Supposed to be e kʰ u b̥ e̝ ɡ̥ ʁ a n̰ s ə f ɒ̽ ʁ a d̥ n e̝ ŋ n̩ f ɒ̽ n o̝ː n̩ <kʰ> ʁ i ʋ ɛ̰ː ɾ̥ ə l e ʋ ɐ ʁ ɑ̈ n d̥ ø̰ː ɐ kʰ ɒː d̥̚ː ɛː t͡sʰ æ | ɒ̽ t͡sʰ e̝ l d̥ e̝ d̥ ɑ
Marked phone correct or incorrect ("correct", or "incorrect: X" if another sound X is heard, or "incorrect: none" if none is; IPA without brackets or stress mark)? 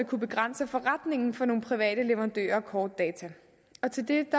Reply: incorrect: pʰ